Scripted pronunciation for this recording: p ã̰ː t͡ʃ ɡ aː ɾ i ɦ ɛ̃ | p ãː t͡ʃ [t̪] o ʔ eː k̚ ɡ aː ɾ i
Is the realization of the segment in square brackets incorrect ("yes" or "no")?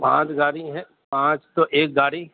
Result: no